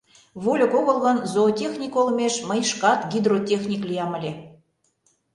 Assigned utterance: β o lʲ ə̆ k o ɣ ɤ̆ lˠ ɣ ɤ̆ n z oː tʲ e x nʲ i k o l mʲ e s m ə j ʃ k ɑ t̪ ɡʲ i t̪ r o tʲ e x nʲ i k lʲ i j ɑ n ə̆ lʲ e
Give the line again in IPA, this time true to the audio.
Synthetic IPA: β o lʲ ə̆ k o ɣ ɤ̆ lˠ ɣ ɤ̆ n z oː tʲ e x nʲ i k o l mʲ e ʃ m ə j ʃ k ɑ t̪ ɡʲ i d̪ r o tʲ e x nʲ i k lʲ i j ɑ m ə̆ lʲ e

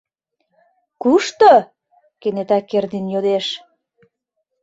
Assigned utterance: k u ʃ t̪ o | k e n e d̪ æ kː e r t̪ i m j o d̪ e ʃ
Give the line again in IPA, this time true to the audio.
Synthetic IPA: k u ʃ t̪ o | k e n e t̪ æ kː e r d̪ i n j o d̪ e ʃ

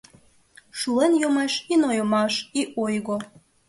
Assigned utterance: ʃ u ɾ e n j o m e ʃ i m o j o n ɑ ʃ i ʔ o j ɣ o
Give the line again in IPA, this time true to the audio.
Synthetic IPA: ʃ u l e n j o m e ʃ i n o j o m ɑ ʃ i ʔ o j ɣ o

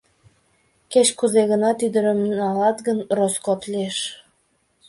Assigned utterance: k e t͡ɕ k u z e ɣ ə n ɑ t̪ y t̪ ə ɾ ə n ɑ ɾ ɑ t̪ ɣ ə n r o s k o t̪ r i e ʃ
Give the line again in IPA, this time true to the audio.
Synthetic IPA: k e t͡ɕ k u z e ɣ ə n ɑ t̪ y d̪ ə ɾ ə m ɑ l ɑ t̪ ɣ ə n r o s k o t̪ l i e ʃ

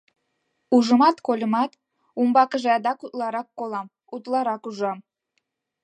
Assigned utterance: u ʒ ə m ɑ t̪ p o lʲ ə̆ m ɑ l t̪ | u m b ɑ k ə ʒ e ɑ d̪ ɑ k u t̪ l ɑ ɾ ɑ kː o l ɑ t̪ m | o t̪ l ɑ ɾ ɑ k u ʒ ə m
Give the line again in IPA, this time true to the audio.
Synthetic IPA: u ʒ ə m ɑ t̪ k o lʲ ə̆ m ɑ t̪ | u m b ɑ k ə ʒ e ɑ d̪ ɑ k u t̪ l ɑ ɾ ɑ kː o l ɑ m | u t̪ l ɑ ɾ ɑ k u ʒ ɑ m

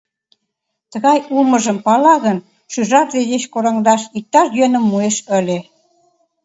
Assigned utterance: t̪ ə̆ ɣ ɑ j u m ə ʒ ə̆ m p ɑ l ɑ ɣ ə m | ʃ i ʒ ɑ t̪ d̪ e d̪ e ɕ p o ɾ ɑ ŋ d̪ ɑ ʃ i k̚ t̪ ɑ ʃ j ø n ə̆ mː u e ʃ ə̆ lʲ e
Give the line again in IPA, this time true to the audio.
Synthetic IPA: t̪ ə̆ ɣ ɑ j u m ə ʒ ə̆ m p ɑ l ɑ ɣ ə n | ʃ y ʒ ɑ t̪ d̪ e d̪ e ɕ k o ɾ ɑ ŋ d̪ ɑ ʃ i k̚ t̪ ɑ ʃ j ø n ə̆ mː u e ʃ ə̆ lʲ e

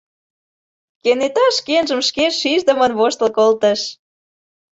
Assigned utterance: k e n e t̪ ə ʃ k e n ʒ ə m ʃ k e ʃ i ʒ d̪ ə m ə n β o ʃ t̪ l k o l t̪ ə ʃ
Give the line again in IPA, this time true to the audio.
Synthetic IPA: k e n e t̪ ɑ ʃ k e n ʒ ə m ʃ k e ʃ i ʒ d̪ ə m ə n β o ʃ t̪ l k o l t̪ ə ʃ

